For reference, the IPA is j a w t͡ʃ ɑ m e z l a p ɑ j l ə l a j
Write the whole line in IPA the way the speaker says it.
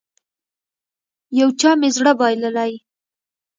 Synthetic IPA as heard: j a w t͡ʃ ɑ m e z ɽ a b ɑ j l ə l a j

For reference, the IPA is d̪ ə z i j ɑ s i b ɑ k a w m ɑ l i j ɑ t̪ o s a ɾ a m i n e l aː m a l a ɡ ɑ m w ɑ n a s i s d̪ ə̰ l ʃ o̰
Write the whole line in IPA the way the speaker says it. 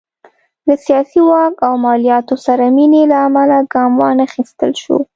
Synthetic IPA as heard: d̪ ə s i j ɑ s i w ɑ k a w m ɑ l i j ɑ t̪ o s a ɾ a m i n e l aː m a l a ɡ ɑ m w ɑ n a x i s t̪ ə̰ l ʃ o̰

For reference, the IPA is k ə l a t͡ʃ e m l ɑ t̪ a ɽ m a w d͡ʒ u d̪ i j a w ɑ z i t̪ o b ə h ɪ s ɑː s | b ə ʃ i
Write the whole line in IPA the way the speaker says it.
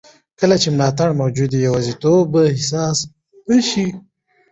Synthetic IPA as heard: k ə l a t͡ʃ e m l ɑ t̪ a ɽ m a w d͡ʒ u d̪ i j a w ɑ z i t̪ o b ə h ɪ s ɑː s | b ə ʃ i

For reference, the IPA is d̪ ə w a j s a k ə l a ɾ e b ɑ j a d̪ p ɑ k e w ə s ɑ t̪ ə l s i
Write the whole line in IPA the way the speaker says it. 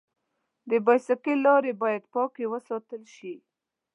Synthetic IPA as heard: d̪ ə b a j s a k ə l ɑ ɾ e b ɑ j a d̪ p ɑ k e w ə s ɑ t̪ ə l ʃ i

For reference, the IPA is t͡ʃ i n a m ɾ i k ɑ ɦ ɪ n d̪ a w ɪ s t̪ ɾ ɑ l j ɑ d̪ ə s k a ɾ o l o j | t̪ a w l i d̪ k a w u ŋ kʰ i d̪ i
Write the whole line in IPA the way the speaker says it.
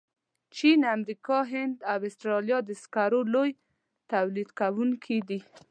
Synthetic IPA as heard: t͡ʃ i n a m ɾ i k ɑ ɦ ɪ n d̪ a w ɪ s t̪ ɾ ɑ l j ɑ d̪ ə s k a ɾ o l o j | t̪ a w l i d̪ k a w u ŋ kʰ i d̪ i

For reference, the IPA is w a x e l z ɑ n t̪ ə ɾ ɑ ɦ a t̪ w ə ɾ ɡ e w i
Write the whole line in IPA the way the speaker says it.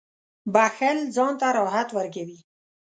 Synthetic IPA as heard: b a x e l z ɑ n t̪ a ɾ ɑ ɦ a t̪ w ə ɾ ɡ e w i

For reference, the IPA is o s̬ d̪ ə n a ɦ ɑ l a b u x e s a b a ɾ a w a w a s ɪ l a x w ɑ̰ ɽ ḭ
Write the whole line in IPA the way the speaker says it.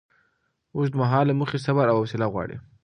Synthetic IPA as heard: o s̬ d̪ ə m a ɦ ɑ l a m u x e s a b a ɾ a w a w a s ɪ l a ɣ w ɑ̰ ɽ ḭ

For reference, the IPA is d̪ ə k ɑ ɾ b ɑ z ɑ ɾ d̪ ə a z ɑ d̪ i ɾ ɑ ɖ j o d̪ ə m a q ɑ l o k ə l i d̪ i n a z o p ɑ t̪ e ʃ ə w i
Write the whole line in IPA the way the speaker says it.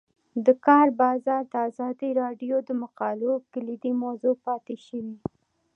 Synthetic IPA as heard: d̪ ə k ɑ ɾ b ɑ z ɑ ɾ d̪ ə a z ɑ d̪ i ɾ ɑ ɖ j o d̪ ə m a q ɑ l o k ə l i d̪ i m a z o p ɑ t̪ e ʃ ə w i

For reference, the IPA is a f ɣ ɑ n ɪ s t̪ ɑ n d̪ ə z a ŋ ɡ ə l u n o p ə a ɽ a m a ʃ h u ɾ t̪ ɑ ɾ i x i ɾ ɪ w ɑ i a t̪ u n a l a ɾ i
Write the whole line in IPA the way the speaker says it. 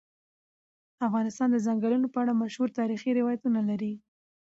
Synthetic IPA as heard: a f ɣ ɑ n ɪ s t̪ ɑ n d̪ ə z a ŋ ɡ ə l u n o p ə a ɽ a m a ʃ h u ɾ t̪ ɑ ɾ i x i ɾ ɪ w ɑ j a t̪ u n a l a ɾ i

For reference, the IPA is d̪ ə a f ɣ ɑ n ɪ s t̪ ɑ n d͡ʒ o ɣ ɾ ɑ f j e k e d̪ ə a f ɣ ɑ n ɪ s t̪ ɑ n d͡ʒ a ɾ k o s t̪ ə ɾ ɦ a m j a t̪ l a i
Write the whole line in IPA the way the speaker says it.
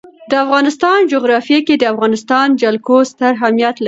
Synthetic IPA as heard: d̪ ə a f ɣ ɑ n ɪ s t̪ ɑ n d͡ʒ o ɣ ɾ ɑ f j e k e d̪ ə a f ɣ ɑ n ɪ s t̪ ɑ n d͡ʒ a l k o s t̪ ə ɾ ɦ a m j a t̪ l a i

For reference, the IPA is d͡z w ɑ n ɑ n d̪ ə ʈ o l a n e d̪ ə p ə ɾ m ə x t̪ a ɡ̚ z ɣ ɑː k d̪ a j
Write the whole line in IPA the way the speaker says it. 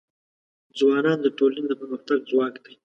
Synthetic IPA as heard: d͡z w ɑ n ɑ n d̪ ə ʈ o l a n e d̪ ə p ə ɾ m ə x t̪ a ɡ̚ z w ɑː k d̪ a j

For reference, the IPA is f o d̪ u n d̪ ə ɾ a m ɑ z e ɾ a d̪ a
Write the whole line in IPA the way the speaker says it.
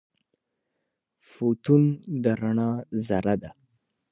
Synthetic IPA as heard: f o t̪ u n d̪ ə ɾ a ɳ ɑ z a ɾ a d̪ a

